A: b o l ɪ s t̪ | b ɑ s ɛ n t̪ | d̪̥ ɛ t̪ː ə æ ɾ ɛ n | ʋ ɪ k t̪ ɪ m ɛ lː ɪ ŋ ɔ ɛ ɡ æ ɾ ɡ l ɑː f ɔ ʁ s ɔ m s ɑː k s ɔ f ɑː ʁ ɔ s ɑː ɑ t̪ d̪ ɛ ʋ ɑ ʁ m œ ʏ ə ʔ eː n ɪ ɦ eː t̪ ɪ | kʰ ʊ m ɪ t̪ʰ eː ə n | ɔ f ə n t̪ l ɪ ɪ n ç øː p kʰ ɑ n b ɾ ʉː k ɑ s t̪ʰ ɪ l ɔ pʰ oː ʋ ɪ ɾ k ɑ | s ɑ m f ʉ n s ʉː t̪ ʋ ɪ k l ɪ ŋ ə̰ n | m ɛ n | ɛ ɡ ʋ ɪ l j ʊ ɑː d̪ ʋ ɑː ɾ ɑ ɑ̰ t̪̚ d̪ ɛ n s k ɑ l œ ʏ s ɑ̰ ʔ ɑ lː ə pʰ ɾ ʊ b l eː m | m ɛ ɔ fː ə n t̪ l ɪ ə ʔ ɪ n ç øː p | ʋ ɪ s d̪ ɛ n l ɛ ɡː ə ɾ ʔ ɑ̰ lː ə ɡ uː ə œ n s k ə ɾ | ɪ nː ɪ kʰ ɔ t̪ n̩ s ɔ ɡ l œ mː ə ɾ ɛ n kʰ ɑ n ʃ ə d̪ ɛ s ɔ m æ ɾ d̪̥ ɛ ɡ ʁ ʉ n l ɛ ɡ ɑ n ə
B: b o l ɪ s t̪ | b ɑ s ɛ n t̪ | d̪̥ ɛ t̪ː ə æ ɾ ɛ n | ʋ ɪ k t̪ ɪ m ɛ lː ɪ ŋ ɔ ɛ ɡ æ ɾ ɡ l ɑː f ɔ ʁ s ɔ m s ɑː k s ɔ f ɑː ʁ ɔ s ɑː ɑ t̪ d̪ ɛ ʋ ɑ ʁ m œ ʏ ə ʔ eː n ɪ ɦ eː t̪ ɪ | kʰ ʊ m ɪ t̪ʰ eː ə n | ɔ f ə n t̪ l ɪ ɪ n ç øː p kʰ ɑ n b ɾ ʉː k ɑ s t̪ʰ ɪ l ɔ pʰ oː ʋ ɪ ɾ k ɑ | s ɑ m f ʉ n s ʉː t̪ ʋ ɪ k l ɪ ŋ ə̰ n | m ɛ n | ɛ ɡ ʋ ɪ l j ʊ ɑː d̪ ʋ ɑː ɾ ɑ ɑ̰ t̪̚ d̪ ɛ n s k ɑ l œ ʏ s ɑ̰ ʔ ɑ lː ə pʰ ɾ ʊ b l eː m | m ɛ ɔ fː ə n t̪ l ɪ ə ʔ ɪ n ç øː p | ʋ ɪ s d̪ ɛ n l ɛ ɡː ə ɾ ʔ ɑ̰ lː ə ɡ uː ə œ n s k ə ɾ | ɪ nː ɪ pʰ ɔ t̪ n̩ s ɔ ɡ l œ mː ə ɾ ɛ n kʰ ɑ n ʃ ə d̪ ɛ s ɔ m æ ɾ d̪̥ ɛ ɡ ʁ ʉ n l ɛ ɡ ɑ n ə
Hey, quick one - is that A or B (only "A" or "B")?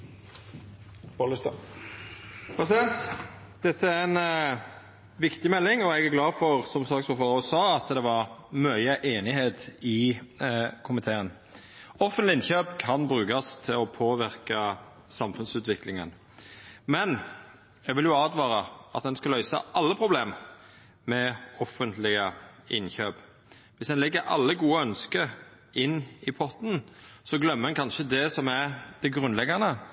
B